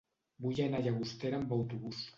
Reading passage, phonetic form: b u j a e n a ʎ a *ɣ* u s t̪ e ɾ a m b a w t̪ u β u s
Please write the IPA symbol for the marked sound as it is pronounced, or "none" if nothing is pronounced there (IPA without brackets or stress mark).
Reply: ɣ